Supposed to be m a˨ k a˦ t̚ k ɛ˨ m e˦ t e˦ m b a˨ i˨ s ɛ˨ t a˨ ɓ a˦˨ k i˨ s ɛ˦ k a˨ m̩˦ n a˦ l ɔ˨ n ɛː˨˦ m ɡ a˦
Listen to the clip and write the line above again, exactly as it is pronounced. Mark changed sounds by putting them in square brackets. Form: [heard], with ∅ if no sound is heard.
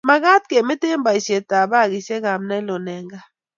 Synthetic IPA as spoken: m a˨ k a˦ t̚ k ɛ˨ m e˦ t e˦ m b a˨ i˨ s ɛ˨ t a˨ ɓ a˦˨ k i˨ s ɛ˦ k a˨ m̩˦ n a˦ l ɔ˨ n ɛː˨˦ [ŋ] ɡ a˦